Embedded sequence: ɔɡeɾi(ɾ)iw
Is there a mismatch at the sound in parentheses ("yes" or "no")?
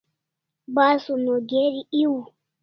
yes